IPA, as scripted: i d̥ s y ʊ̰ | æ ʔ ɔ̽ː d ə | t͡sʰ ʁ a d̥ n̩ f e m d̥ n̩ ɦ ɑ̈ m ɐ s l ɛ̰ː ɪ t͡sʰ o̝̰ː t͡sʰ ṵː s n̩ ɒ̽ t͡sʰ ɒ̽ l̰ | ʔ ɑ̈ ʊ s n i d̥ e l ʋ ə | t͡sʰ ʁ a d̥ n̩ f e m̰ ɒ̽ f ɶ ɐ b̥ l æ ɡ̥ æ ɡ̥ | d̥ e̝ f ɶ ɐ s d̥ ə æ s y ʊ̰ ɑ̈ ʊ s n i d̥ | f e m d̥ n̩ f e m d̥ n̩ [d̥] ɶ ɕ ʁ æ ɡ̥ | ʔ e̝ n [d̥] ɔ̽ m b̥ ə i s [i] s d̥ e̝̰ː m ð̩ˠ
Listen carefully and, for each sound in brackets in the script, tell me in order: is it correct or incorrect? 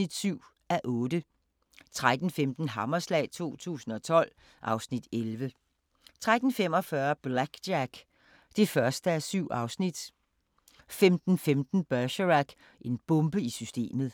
incorrect: b̥, incorrect: b̥, incorrect: y

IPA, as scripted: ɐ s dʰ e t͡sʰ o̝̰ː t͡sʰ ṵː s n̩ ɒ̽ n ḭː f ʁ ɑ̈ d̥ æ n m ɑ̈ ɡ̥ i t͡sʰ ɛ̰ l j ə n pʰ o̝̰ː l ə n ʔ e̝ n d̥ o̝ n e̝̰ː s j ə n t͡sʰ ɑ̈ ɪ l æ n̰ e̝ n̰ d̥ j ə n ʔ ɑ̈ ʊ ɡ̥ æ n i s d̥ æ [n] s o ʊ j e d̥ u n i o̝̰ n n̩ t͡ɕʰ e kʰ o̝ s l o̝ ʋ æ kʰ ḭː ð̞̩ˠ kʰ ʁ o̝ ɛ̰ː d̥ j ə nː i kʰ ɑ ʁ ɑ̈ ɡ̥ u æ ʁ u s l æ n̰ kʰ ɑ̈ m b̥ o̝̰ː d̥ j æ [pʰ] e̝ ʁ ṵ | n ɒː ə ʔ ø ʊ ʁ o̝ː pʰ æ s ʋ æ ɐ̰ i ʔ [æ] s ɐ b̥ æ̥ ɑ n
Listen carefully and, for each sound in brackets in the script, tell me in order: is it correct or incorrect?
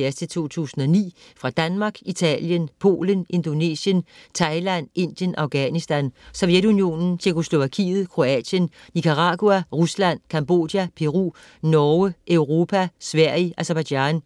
correct, correct, correct

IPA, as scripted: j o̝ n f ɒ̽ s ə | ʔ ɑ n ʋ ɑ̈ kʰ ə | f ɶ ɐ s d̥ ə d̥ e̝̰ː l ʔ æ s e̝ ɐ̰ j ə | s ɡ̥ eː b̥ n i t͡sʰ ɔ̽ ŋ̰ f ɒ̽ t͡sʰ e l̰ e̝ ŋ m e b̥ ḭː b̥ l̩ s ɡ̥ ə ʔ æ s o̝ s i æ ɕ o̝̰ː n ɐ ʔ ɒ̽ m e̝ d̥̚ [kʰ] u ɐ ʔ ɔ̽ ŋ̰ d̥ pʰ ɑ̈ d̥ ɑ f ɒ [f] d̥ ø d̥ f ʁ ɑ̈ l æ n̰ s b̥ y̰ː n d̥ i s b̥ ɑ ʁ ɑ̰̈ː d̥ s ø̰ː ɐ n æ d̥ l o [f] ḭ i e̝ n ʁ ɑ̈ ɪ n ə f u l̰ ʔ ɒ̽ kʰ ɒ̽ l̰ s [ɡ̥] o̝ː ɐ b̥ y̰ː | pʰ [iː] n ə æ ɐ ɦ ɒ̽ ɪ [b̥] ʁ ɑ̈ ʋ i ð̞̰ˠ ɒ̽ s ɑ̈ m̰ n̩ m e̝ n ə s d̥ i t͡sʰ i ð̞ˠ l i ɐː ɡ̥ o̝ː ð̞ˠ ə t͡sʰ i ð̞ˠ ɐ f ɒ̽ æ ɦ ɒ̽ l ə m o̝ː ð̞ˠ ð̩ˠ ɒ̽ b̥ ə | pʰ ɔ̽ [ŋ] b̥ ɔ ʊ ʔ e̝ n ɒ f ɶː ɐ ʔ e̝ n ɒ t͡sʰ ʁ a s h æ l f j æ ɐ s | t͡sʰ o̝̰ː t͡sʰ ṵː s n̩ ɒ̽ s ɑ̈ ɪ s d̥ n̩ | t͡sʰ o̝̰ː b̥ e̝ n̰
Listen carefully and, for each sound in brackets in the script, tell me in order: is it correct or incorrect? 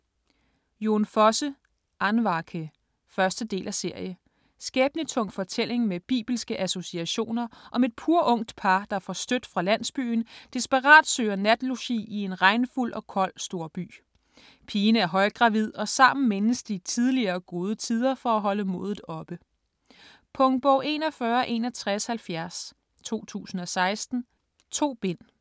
incorrect: pʰ, incorrect: s, incorrect: ɕ, incorrect: d̥, correct, incorrect: ɡ̥, correct

